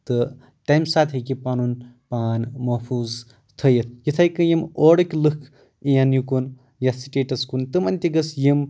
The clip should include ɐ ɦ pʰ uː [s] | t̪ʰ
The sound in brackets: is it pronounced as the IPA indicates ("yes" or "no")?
no